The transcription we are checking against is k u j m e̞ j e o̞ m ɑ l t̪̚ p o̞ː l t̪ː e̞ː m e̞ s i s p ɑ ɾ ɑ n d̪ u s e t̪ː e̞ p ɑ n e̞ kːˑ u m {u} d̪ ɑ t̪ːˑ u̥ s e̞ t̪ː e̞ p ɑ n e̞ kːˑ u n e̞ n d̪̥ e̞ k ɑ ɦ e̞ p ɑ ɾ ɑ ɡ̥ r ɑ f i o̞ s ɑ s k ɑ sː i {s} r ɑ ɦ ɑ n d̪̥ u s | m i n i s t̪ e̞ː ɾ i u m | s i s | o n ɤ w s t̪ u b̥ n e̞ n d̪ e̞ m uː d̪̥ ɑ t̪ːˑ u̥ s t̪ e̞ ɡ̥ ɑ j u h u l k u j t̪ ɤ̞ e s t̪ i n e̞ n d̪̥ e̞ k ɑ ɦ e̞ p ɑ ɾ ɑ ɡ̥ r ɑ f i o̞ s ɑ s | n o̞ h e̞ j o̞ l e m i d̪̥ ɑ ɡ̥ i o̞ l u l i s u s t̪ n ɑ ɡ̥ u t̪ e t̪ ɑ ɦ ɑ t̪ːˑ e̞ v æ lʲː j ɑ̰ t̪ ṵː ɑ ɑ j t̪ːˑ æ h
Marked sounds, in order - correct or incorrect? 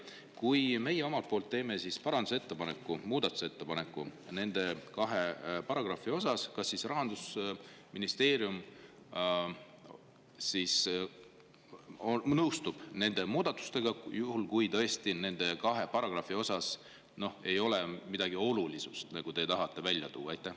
incorrect: uː, correct

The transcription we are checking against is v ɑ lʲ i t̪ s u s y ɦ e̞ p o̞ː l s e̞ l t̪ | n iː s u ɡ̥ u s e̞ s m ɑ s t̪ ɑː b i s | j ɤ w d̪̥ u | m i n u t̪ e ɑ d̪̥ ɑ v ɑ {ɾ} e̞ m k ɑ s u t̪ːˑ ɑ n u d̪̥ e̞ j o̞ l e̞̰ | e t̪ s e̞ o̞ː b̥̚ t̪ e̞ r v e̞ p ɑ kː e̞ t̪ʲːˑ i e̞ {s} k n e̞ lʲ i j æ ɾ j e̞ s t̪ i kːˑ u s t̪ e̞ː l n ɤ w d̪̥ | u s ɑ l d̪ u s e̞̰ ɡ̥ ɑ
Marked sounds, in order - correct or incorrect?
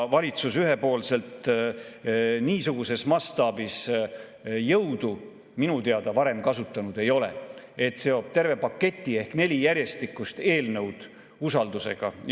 correct, incorrect: h

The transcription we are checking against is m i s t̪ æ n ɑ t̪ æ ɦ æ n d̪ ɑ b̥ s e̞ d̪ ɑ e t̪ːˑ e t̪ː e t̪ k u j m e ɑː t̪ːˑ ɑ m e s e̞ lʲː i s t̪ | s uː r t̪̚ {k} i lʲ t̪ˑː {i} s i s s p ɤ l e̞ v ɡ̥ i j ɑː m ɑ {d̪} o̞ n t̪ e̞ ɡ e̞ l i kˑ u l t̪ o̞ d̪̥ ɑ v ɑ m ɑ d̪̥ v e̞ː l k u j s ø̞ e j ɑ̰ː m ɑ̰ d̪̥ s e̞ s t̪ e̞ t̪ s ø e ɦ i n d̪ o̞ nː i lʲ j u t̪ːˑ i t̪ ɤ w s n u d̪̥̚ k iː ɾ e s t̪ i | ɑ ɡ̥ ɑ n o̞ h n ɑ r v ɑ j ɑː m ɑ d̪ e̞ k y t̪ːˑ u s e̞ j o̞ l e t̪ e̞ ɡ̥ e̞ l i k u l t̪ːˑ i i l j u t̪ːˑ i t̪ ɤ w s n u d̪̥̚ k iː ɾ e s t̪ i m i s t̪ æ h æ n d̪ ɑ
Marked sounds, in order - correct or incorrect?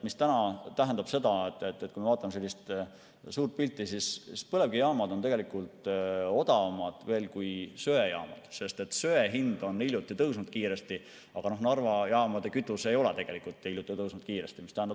incorrect: p, correct, correct

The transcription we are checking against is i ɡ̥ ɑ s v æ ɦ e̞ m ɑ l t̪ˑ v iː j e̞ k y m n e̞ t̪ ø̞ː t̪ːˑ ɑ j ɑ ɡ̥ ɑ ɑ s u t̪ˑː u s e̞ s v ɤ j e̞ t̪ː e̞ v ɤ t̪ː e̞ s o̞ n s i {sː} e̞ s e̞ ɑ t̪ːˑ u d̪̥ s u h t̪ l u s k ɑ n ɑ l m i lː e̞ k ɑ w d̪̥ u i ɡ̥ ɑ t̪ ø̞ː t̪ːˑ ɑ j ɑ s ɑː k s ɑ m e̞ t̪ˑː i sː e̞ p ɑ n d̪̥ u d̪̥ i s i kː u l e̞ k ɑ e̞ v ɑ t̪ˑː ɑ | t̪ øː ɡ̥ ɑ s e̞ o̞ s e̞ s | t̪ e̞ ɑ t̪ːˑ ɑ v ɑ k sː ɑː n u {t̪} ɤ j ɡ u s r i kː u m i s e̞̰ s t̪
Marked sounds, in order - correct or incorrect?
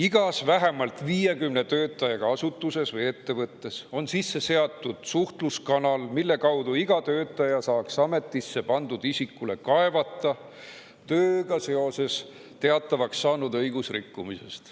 correct, incorrect: d̪

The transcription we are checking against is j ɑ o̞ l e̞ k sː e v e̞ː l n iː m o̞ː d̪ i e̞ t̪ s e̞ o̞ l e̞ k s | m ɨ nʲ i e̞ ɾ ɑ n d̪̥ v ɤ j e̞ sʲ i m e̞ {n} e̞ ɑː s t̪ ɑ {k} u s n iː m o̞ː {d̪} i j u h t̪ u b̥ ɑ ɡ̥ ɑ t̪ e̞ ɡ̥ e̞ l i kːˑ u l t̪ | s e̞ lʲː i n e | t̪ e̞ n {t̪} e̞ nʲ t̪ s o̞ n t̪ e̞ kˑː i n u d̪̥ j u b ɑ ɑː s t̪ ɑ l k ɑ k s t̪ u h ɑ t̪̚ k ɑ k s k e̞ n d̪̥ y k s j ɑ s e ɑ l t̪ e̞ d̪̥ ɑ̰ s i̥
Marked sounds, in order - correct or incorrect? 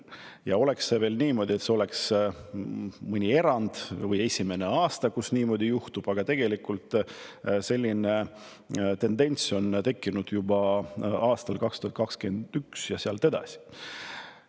correct, correct, correct, incorrect: d̪

